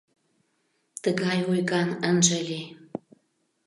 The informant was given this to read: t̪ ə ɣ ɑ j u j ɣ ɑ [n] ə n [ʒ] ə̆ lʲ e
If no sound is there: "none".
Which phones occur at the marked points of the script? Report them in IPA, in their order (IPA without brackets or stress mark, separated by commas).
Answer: n, ʒ